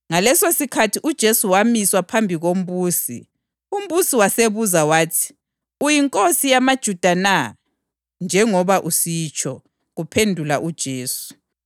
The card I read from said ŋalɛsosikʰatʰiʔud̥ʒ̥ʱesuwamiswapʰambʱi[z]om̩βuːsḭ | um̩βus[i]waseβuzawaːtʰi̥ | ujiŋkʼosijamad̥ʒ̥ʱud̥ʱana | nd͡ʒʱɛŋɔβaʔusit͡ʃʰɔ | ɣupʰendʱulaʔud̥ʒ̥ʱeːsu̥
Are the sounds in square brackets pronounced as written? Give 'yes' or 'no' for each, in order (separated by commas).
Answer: no, yes